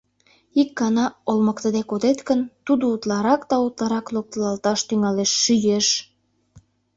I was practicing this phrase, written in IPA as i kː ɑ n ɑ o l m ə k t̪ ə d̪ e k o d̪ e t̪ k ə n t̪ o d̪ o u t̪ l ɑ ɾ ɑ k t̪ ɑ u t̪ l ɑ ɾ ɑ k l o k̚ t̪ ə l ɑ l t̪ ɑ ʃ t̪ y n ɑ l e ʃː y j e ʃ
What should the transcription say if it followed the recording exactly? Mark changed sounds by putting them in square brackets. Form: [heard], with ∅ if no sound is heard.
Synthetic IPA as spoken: i kː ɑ n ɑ o l m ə k t̪ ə d̪ e k o d̪ e t̪ k ə n t̪ [u] d̪ o u t̪ l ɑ ɾ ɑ k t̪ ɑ u t̪ l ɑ ɾ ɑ k l o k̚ t̪ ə l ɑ l t̪ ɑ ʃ t̪ y [ŋ] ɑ l e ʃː y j e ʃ